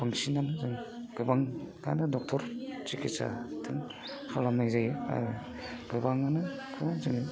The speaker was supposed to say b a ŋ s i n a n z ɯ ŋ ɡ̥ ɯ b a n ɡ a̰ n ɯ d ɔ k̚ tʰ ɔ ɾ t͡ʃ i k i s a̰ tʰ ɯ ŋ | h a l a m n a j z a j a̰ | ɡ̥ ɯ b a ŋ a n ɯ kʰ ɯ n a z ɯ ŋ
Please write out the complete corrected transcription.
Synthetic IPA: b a ŋ s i n a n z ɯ ŋ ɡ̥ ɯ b a ŋ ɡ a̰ n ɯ d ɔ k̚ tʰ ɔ ɾ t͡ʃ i k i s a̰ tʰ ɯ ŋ | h a l a m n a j z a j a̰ | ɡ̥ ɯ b a ŋ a n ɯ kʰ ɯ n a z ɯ ŋ